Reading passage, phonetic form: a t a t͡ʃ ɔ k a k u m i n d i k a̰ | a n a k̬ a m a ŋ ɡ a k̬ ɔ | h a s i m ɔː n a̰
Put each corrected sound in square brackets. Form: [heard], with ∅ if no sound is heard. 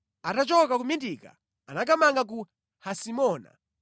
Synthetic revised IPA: a t a t͡ʃ ɔ k a k u m i n d i k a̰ | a n a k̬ a m a ŋ ɡ a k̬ [u] | h a s i m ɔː n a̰